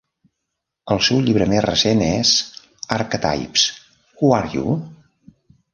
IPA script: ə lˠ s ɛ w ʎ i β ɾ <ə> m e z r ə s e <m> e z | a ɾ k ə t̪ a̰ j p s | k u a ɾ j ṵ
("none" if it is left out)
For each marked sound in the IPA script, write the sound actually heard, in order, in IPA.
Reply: ə, n

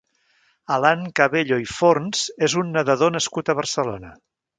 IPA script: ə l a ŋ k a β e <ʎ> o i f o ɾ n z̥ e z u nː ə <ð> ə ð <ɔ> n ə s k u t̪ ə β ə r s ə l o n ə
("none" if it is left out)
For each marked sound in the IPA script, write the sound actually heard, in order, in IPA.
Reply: ʎ, ð, o

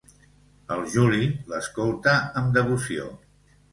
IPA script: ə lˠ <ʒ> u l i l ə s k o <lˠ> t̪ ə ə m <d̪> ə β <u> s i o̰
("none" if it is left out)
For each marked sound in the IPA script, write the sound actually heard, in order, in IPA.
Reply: ʒ, lˠ, d̪, u

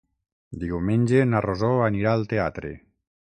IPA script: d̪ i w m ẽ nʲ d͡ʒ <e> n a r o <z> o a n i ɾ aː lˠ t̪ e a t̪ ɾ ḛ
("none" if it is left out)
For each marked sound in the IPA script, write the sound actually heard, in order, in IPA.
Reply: e, z

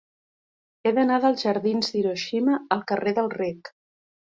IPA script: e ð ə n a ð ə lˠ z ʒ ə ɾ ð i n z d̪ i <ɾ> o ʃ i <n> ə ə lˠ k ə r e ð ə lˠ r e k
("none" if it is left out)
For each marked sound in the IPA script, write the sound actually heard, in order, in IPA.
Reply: ɾ, m

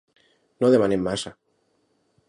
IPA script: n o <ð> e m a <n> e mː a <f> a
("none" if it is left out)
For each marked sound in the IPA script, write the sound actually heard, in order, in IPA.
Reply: ð, n, s

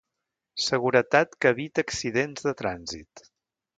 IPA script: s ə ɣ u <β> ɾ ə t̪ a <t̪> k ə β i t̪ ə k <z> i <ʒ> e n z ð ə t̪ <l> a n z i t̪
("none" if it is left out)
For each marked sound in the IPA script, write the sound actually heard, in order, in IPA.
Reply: none, t̪, s, ð, ɾ

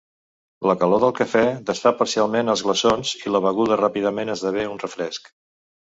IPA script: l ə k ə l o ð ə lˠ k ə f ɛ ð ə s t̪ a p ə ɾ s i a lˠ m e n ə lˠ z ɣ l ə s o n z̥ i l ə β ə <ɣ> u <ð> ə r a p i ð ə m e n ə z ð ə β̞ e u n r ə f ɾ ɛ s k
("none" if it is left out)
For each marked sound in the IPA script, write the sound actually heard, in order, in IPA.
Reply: ɣ, ð

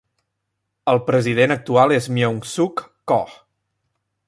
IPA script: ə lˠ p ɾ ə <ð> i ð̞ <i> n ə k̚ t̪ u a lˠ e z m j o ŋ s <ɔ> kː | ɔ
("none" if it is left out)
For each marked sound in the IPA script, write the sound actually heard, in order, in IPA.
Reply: z, e, u

